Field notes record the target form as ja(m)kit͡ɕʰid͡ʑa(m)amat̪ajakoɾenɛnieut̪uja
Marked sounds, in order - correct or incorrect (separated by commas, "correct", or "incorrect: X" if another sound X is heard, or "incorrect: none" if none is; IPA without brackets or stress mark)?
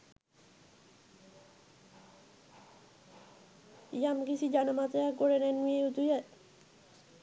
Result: correct, incorrect: n